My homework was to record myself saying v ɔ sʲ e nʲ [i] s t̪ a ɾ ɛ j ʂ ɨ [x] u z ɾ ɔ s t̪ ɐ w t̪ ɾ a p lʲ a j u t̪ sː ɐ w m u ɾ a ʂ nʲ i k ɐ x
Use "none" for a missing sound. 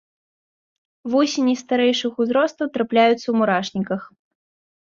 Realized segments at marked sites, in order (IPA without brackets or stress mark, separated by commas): i, x